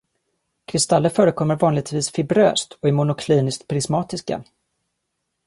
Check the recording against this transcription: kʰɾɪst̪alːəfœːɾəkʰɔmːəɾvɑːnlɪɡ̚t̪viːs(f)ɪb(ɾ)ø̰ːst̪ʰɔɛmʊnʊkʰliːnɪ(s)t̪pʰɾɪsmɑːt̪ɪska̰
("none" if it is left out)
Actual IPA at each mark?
f, ɾ, s

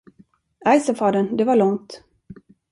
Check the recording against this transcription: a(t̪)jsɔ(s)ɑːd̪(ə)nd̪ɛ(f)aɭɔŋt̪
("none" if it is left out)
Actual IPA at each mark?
none, f, ə, v

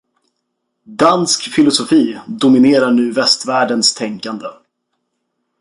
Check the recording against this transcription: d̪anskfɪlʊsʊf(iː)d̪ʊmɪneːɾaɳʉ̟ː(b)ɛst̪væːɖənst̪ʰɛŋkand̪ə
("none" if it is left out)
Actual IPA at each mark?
iː, v

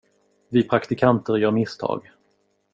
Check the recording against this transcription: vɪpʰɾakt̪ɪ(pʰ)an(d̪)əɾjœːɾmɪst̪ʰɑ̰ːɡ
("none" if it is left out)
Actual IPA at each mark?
kʰ, t̪

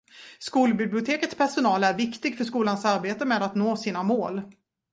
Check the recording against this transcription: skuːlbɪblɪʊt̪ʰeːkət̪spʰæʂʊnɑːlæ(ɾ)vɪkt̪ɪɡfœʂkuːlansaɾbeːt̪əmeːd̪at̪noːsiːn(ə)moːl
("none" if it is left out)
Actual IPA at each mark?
ɾ, a

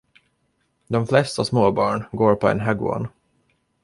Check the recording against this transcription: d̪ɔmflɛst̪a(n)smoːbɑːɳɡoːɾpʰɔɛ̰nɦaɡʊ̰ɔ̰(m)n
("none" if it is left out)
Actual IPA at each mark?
none, none

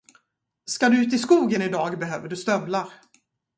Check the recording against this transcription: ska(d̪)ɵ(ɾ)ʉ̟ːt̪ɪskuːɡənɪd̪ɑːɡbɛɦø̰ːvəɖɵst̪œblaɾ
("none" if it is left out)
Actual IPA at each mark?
d̪, none

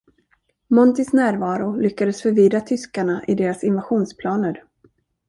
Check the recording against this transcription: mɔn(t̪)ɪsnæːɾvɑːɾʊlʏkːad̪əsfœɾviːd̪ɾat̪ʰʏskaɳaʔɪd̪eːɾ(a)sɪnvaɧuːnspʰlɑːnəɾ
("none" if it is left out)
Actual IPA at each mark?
t̪, a

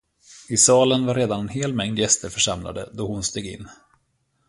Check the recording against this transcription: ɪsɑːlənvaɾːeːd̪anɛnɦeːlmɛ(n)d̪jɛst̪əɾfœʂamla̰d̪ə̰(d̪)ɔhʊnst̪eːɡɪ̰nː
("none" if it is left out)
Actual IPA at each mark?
ŋ, d̪

